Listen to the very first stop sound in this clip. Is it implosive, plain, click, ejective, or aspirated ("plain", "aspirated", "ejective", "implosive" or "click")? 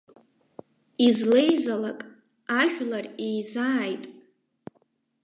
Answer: ejective